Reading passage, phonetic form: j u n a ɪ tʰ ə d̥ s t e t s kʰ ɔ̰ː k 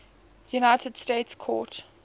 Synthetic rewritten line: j u n a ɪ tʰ ə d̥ s t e t s kʰ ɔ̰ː t